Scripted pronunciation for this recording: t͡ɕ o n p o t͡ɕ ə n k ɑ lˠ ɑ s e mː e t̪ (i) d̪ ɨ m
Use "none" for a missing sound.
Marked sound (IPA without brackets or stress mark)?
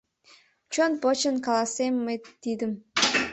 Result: i